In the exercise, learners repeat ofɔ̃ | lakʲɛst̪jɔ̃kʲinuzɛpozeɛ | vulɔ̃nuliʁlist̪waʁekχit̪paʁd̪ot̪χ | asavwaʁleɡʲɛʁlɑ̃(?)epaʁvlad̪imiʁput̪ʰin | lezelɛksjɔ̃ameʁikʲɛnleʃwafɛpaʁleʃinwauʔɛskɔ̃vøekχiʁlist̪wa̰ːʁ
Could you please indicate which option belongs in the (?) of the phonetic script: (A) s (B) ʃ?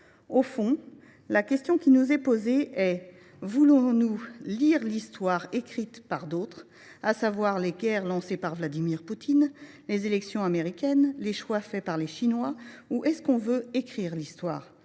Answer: A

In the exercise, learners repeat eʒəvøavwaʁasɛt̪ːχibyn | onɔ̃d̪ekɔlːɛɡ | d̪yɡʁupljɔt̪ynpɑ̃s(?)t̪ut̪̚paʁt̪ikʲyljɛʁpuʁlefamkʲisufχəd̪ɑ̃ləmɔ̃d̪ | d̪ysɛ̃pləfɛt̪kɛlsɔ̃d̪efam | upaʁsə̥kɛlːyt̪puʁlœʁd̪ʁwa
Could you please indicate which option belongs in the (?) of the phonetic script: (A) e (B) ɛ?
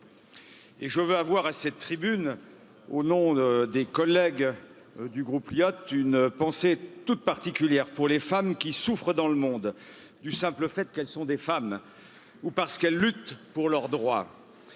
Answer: A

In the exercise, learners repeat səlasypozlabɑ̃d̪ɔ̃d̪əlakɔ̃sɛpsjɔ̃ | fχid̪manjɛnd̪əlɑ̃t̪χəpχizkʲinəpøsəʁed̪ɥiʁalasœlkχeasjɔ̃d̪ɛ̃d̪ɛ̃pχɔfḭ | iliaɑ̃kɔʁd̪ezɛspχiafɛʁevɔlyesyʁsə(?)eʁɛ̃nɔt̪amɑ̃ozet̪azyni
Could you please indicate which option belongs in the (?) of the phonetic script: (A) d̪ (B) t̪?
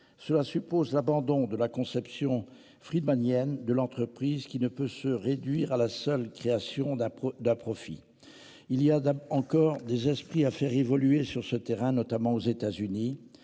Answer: B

